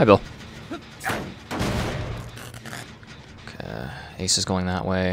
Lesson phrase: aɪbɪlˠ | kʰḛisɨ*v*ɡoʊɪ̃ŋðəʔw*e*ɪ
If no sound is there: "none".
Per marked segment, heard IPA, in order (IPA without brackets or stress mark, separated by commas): z, e